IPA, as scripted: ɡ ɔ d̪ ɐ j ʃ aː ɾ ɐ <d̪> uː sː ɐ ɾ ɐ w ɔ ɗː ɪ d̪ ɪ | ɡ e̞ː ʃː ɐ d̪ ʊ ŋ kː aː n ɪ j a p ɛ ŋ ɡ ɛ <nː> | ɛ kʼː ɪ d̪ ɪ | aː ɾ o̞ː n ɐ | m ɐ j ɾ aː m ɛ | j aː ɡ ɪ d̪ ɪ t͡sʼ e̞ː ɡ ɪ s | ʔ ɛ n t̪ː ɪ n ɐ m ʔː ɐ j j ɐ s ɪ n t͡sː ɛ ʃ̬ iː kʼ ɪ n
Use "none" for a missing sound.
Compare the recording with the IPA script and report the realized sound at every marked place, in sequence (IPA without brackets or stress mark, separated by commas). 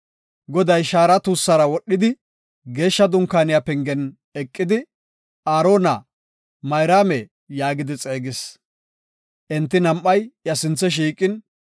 t̪, n